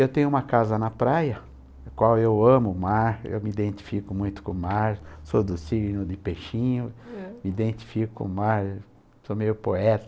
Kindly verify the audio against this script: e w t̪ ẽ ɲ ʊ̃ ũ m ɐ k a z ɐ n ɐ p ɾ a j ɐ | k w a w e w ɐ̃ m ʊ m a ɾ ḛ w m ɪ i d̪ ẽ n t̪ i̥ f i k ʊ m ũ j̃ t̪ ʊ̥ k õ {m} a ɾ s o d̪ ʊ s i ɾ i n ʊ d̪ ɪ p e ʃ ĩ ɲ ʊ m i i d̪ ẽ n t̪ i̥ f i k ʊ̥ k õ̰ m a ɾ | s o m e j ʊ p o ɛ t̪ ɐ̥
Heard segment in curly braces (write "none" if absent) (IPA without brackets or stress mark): m